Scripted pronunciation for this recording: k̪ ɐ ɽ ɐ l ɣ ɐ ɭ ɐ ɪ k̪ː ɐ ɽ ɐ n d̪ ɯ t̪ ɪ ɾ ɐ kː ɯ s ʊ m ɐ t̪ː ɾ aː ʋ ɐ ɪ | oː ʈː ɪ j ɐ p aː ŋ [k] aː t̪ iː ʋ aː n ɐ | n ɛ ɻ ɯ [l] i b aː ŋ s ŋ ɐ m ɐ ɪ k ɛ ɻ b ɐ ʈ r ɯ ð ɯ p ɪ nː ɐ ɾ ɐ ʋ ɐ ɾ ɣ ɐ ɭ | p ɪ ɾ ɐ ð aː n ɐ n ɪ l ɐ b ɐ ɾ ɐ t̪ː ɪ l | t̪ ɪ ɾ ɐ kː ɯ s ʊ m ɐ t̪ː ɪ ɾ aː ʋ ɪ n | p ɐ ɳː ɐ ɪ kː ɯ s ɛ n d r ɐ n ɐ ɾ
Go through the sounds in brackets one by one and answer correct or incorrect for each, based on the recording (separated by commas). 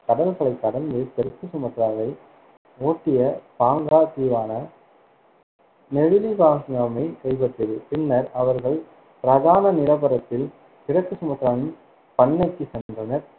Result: incorrect, correct